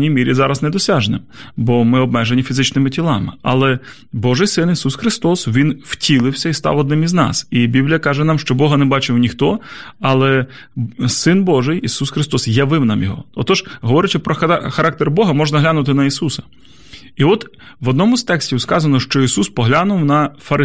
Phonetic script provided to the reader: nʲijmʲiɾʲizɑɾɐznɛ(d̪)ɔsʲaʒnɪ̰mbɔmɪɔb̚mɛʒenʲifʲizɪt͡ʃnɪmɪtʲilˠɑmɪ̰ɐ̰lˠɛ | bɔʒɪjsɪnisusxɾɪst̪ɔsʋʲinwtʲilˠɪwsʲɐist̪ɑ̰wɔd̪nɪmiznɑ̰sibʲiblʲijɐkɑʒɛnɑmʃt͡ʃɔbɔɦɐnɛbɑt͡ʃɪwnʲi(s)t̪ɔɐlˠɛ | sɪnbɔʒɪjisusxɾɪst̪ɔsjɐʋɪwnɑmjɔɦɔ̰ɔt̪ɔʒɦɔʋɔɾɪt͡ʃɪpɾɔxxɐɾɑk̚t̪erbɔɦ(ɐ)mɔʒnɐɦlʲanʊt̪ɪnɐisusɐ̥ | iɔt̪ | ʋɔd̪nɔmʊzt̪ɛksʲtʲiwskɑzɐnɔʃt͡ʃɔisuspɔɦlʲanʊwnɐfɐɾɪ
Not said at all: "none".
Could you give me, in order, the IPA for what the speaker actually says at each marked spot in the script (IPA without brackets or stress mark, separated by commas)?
d̪, x, ɐ